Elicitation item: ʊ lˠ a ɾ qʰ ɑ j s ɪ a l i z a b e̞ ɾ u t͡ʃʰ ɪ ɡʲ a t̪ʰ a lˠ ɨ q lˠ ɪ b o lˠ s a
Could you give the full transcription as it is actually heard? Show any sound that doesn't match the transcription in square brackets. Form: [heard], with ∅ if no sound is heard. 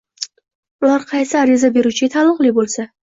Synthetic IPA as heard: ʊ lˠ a ɾ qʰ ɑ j s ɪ a [ɾ] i z a b e̞ ɾ u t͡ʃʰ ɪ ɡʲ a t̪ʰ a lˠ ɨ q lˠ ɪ b o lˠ s a